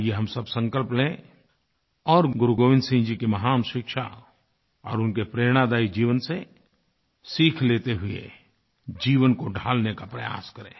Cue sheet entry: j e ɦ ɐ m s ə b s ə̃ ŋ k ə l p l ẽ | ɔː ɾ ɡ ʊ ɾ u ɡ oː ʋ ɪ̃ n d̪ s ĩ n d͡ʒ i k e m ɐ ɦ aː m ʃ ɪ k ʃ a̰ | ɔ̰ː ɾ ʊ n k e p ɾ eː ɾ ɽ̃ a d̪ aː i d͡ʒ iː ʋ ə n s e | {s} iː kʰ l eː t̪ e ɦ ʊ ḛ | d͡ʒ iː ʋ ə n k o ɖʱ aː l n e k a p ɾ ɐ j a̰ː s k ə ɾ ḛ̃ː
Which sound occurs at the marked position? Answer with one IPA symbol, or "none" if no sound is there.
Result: s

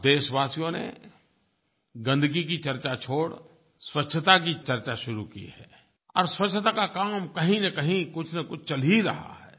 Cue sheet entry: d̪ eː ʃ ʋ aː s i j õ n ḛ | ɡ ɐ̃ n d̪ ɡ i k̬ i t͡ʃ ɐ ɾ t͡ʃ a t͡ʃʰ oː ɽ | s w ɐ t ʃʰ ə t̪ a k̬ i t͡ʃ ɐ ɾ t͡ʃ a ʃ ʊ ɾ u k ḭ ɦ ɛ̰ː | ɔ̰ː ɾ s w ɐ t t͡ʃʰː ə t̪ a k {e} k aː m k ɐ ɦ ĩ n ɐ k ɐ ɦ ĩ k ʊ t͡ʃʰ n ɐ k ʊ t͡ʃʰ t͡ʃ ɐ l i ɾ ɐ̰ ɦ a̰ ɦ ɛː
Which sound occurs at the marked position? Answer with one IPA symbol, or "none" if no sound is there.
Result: a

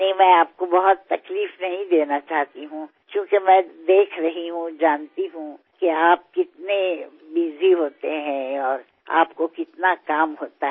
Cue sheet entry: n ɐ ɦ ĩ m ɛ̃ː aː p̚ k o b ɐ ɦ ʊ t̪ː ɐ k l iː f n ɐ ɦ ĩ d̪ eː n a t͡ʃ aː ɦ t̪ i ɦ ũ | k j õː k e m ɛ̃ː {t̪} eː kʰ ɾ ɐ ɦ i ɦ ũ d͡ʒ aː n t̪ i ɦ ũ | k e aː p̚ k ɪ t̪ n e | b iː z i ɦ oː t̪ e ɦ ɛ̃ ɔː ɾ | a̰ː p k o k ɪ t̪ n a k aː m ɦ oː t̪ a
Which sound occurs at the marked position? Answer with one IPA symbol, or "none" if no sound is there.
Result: d̪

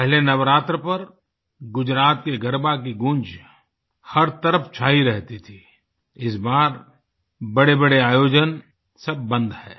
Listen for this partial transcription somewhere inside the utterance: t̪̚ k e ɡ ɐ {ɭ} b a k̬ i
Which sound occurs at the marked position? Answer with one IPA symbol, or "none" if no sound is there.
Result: ɾ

